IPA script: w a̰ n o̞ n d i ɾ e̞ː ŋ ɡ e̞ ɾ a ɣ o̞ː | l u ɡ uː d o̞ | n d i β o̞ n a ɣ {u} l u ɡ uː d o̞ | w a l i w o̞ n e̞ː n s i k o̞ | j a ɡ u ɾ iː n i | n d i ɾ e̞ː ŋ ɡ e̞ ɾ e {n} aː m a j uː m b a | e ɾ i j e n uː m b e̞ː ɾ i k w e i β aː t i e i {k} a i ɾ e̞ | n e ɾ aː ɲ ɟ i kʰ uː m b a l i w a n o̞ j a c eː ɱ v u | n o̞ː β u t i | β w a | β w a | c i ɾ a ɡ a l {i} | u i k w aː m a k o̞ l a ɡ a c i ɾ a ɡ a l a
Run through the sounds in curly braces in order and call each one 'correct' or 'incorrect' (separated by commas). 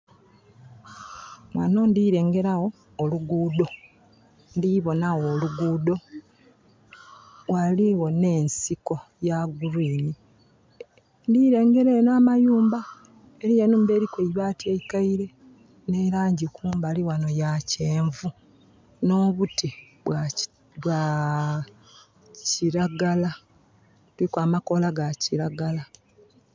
incorrect, correct, correct, incorrect